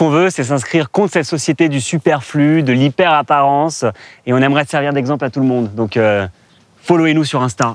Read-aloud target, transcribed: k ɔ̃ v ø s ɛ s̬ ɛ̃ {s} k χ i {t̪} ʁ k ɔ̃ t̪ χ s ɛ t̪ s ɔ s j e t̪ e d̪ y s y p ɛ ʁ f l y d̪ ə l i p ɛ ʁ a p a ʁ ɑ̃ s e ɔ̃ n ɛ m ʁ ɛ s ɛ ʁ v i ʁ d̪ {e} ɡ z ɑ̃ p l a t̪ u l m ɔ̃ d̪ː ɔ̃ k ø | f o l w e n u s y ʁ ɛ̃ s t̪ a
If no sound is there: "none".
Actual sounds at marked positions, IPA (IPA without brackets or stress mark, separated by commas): s, none, ɛ